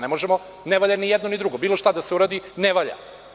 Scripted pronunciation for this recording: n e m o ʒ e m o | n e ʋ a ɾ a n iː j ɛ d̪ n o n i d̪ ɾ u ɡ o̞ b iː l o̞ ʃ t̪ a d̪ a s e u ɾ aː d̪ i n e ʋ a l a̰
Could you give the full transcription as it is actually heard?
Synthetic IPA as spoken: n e m o ʒ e m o | n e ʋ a ʎ a n i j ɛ d̪ n o n i d̪ ɾ u ɡ o̞ b iː l o̞ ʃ t̪ a d̪ a s e u ɾ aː d̪ i n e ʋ a ʎ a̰

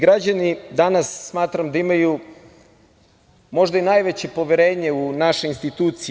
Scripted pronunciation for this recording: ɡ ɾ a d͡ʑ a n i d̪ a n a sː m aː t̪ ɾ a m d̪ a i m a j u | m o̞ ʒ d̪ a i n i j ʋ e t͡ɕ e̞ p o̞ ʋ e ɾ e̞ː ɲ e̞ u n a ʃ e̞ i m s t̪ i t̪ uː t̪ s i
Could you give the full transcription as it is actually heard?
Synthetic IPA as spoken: ɡ ɾ a d͡ʑ a n i d̪ a n a sː m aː t̪ ɾ a m d̪ a i m a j u | m o̞ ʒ d̪ a i n a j ʋ e t͡ɕ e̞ p o̞ ʋ e ɾ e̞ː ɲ e̞ u n a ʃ e̞ i n s t̪ i t̪ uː t̪ s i

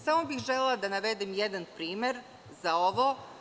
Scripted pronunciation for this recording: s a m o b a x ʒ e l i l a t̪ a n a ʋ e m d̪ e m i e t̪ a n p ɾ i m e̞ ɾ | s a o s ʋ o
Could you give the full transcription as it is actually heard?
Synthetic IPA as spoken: s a m o b i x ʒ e l e l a d̪ a n a ʋ e d̪ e m j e d̪ a n p ɾ iː m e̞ ɾ | z a o ʋ o

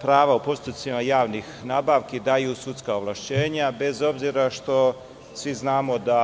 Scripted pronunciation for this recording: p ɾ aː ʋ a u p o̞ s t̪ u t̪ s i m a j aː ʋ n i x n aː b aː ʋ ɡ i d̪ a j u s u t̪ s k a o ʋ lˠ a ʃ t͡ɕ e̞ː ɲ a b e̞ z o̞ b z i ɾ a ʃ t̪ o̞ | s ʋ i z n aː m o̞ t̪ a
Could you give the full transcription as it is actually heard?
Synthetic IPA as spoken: p ɾ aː ʋ a u p o̞ s t̪ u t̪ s i m a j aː ʋ n i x n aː b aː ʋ k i d̪ a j u s u t̪ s k a o ʋ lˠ a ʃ t͡ɕ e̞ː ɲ a b e̞ z o̞ b z i ɾ a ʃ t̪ o̞ | s ʋ i z n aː m o̞ d̪ a

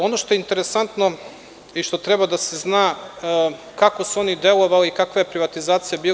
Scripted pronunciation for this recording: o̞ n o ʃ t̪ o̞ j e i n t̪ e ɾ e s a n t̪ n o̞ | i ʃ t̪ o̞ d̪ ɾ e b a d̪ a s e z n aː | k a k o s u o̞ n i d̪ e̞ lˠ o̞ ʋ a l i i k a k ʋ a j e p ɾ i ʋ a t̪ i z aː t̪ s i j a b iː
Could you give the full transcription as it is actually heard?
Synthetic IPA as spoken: o̞ n o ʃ t̪ o̞ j e i n t̪ e ɾ e s a n t̪ n o̞ | i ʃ t̪ o̞ t̪ ɾ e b a d̪ a s e z n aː | k a k o s u o̞ n i d̪ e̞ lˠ o̞ ʋ a l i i k a k ʋ a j e p ɾ i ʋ a t̪ i z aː t̪ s i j a b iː

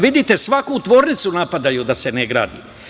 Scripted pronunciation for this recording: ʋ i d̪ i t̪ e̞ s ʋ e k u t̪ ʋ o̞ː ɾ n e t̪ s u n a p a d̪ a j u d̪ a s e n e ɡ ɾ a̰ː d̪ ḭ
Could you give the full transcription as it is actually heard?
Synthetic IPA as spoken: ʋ i d̪ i t̪ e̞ s ʋ a k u t̪ ʋ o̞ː ɾ n i t̪ s u n a p a d̪ a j u d̪ a s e n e ɡ ɾ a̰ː d̪ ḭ

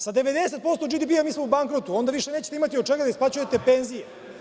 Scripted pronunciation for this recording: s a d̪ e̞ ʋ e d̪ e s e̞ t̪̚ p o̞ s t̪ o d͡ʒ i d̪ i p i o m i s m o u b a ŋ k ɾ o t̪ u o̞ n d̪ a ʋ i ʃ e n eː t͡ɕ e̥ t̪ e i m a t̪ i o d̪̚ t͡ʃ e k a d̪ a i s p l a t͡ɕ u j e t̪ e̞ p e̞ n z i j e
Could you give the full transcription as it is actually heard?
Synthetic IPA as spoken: s a d̪ e̞ ʋ e d̪ e s e̞ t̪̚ p o̞ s t̪ o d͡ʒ i d̪ i p i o m i s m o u b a ŋ k ɾ o t̪ u o̞ n d̪ a ʋ i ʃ e n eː t͡ɕ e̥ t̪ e i m a t̪ i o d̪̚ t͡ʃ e ɡ a d̪ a i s p l a t͡ɕ u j e t̪ e̞ p e̞ n z i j e

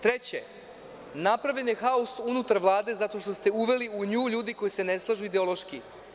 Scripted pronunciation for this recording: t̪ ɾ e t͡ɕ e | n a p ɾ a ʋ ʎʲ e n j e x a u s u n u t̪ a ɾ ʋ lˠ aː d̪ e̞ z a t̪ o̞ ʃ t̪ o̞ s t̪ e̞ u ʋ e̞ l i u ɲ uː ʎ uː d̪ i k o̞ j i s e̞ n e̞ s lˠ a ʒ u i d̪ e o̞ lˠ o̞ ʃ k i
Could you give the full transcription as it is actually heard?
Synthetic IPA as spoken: t̪ ɾ e t͡ɕ e | n a p ɾ a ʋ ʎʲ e n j e x a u s u n u t̪ a ɾ ʋ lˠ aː d̪ e̞ z a t̪ o̞ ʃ t̪ o̞ s t̪ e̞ u ʋ e̞ l i u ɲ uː ʎ uː d̪ i k o̞ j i s e̞ n e̞ s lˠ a ʒ u i d̪ e o̞ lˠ o̞ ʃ k i

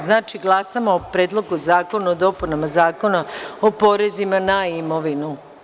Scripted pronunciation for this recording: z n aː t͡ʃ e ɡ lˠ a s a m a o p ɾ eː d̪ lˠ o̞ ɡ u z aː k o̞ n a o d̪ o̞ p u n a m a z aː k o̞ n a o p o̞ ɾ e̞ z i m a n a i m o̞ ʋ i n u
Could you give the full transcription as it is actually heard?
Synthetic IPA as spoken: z n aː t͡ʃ i ɡ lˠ a s a m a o p ɾ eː d̪ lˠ o̞ ɡ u z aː k o̞ n a o d̪ o̞ p u n a m a z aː k o̞ n a o p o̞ ɾ e̞ z i m a n a i m o̞ ʋ i n u

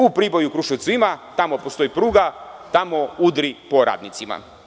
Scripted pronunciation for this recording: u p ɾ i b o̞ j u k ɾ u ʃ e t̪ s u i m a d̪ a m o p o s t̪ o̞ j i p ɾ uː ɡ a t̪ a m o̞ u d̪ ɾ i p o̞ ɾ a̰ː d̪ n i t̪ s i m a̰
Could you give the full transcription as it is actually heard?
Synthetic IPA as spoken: u p ɾ i b o̞ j u k ɾ u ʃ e t̪ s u i m a t̪ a m o p o s t̪ o̞ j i p ɾ uː ɡ a t̪ a m o̞ u d̪ ɾ i p o̞ ɾ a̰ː d̪ n i t̪ s i m a̰

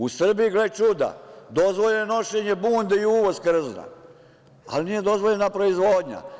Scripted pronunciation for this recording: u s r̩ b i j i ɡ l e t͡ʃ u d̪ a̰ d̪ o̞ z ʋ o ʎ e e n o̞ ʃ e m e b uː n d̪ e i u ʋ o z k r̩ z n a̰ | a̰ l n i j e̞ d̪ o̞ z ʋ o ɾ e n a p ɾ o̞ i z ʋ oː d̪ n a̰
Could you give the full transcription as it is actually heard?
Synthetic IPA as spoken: u s r̩ b i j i ɡ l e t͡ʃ u d̪ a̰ d̪ o̞ z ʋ o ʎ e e n o̞ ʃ e ɲ e b uː n d̪ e i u ʋ o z k r̩ z n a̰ | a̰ l n i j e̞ d̪ o̞ z ʋ o ʎ e n a p ɾ o̞ i z ʋ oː d̪ ɲ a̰

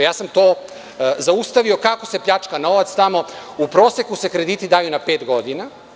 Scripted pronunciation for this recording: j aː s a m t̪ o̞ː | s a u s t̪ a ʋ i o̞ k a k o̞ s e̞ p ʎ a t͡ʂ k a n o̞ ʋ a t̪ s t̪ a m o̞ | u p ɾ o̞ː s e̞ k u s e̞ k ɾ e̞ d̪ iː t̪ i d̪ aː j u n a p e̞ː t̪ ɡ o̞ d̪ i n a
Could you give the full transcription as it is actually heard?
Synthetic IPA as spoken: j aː s a m t̪ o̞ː | z a u s t̪ a ʋ i o̞ k a k o̞ s e̞ p ʎ a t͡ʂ k a n o̞ ʋ a t̪ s t̪ a m o̞ | u p ɾ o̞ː s e̞ k u s e̞ k ɾ e̞ d̪ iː t̪ i d̪ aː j u n a p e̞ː t̪ ɡ o̞ d̪ i n a

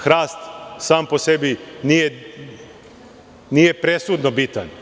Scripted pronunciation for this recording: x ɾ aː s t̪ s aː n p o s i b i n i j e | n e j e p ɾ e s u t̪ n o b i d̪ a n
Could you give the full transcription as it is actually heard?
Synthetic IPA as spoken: x ɾ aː s t̪ s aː m p o s e b i n i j e | n i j e p ɾ e s u d̪ n o b i t̪ a n

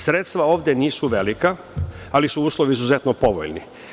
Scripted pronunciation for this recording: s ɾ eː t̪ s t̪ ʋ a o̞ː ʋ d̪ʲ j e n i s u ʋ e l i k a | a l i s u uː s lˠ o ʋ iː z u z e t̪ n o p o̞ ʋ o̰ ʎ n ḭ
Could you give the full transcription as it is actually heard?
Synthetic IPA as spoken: s ɾ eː t̪ s t̪ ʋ a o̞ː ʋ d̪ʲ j e n iː s u ʋ e l i k a | a l i s u uː s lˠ o ʋ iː z u z e t̪ n o p o̞ ʋ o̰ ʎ n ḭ

